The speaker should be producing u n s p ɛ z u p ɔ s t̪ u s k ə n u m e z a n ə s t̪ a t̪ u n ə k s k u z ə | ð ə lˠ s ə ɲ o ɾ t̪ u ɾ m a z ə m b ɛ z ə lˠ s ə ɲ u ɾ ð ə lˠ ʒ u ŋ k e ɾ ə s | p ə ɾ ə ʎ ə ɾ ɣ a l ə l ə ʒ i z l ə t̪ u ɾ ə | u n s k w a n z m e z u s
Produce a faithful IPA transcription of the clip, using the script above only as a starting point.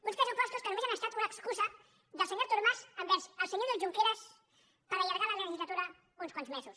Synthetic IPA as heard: u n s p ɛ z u p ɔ s t̪ u s k ə n u m e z a n ə s t̪ a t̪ u n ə k s k u z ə | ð ə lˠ s ə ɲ o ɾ t̪ u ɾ m a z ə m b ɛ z ə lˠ s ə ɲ o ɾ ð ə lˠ ʒ u ŋ k e ɾ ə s | p ə ɾ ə ʎ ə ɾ ɣ a l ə l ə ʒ i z l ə t̪ u ɾ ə | u n s k w a n z m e z u s